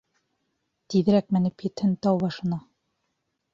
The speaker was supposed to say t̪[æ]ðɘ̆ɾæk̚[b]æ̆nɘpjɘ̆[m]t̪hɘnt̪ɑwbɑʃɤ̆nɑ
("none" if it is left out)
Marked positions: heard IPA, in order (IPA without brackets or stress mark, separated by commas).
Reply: i, m, none